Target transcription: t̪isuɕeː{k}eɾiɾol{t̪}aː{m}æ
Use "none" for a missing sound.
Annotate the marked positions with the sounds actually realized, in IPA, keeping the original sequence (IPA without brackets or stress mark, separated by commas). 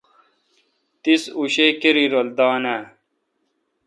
k, d̪, n